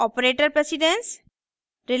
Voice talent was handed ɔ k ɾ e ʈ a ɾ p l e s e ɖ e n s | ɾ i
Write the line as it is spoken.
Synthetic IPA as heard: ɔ p ɾ e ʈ ə ɾ p ɾ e s i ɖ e n s | ɾ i